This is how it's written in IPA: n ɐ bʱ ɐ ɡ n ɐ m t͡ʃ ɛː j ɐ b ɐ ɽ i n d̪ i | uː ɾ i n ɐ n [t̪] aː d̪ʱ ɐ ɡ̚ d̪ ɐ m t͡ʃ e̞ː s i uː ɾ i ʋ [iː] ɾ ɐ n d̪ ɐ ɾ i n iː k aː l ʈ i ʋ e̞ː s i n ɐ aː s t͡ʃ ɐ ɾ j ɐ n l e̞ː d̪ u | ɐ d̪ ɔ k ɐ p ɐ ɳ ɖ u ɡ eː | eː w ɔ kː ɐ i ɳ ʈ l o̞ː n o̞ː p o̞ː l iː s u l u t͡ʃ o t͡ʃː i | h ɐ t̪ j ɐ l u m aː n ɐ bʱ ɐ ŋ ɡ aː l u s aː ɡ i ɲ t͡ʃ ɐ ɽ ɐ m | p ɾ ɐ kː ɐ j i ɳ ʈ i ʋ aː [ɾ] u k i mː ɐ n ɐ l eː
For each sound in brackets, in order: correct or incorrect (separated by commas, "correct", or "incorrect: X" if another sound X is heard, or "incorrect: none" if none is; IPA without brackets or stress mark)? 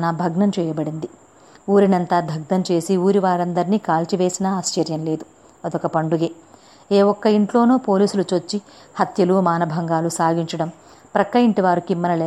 correct, incorrect: aː, correct